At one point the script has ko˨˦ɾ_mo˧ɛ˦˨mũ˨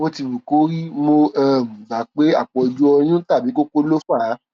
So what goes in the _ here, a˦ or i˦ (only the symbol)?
i˦